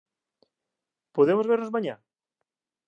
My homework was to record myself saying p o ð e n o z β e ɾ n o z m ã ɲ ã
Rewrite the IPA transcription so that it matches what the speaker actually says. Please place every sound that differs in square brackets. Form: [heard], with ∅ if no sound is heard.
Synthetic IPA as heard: p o ð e [m] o z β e ɾ n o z m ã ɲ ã